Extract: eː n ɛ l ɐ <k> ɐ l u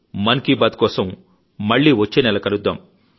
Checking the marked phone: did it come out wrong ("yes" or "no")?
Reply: no